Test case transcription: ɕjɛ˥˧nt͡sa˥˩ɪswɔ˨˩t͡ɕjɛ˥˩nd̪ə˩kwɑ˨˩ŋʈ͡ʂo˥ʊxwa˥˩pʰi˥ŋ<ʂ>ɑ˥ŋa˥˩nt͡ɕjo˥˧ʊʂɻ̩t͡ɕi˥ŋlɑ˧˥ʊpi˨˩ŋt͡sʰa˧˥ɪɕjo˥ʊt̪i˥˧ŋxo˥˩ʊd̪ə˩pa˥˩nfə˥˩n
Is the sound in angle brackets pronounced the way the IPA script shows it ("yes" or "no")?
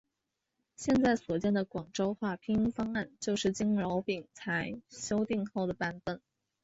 no